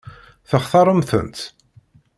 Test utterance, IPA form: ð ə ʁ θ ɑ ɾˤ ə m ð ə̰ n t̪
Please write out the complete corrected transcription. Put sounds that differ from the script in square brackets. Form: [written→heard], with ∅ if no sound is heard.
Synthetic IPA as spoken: [ð→θ] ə [ʁ→χ] θ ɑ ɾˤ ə m [ð→θ] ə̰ n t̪